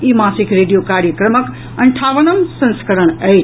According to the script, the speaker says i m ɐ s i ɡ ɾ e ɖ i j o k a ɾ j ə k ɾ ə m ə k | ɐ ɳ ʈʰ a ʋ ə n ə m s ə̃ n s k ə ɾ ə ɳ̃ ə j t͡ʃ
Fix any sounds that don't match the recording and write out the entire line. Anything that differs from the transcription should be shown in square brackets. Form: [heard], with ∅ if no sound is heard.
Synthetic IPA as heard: i m [a] s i [k] ɾ e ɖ i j o k a ɾ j ə k ɾ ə m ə k | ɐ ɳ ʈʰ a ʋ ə n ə m s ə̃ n s k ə ɾ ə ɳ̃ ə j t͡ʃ